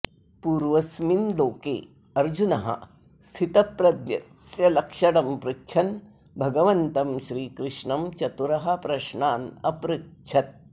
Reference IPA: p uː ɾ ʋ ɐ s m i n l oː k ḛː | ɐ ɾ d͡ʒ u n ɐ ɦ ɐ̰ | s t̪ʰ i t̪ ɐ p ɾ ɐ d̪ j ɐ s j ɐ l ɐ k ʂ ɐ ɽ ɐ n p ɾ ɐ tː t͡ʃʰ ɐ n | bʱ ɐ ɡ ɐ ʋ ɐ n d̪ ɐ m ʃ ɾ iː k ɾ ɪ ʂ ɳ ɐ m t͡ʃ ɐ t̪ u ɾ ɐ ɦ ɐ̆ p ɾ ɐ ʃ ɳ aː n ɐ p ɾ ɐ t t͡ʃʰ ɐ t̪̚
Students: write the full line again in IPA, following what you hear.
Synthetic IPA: p uː ɾ ʋ ɐ s m i n l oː k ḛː | ɐ ɾ d͡ʒ u n ɐ ɦ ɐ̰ | s t̪ʰ i t̪ ɐ p ɾ ɐ d̪ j ɐ s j ɐ l ɐ k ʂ ɐ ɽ ɐ m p ɾ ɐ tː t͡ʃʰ ɐ n | bʱ ɐ ɡ ɐ ʋ ɐ n t̪ ɐ m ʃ ɾ iː k ɾ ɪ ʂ ɳ ɐ m t͡ʃ ɐ t̪ u ɾ ɐ ɦ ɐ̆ p ɾ ɐ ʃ ɳ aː n ɐ p ɾ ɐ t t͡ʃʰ ɐ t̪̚